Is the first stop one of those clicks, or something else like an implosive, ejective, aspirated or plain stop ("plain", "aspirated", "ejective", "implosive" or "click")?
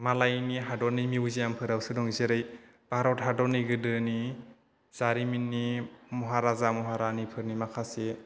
plain